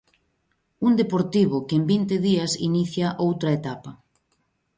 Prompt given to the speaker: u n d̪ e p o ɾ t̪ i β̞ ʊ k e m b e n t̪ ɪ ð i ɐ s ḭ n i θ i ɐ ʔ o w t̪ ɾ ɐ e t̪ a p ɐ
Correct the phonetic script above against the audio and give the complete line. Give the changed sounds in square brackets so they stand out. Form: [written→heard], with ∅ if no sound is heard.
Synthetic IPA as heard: u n d̪ e p o ɾ t̪ i β̞ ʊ k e m b [e→i] n t̪ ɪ ð i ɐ s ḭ n i θ [i→j] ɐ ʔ o w t̪ ɾ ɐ e t̪ a p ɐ